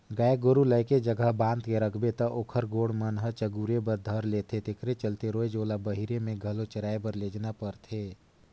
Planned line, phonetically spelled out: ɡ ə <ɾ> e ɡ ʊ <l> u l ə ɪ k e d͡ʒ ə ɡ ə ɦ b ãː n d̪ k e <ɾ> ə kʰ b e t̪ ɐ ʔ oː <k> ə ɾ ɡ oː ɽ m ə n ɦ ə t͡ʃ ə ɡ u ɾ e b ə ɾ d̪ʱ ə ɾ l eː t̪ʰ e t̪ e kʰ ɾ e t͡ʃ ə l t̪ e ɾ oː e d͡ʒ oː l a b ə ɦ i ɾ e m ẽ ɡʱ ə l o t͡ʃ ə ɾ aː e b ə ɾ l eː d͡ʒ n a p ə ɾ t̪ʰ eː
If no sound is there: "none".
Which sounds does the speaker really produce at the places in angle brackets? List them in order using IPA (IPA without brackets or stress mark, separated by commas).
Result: none, ɾ, ɾ, kʰ